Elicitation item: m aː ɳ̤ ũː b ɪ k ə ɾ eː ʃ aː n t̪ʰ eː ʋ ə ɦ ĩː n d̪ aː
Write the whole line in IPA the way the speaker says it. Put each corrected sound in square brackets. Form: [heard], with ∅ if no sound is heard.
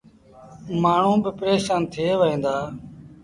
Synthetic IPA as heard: m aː ɳ̤ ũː b ɪ [p] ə ɾ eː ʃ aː n t̪ʰ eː ʋ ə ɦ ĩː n d̪ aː